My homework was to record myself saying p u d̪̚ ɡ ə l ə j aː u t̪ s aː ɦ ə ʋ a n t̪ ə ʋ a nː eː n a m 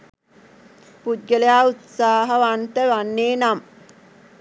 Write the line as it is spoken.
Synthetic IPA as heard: p u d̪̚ ɡ ə l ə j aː u t̪ s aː ɦ ə ʋ a n t̪ ə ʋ a nː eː n a m